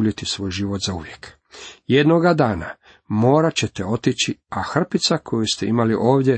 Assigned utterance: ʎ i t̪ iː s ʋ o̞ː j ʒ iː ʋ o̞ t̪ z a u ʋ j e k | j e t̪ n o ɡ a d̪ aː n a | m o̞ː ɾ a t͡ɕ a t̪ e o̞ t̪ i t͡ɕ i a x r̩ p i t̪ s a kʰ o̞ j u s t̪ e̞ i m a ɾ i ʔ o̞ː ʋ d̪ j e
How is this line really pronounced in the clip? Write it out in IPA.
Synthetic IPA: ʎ i t̪ i s ʋ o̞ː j ʒ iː ʋ o̞ t̪ z a u ʋ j e k | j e d̪ n o ɡ a d̪ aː n a | m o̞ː ɾ a t͡ɕ e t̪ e o̞ t̪ i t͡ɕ i a x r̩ p i t̪ s a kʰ o̞ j u s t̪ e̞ i m a l i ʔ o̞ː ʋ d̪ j e